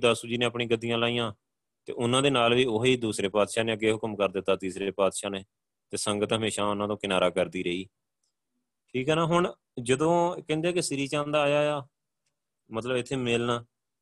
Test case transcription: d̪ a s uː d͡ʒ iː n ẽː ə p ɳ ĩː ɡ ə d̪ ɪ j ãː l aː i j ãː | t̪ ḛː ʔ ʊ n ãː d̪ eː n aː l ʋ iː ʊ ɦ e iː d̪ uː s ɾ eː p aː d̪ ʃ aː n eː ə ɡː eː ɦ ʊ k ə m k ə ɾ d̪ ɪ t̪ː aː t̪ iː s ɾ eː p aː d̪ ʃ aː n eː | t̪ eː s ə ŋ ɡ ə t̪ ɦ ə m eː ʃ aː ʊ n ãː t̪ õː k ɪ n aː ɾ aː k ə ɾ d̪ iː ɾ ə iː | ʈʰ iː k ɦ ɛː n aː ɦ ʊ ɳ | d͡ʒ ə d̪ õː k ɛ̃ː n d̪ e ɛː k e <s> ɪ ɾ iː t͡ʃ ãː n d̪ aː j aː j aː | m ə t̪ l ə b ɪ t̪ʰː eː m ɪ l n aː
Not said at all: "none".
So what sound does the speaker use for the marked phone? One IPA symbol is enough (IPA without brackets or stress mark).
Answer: s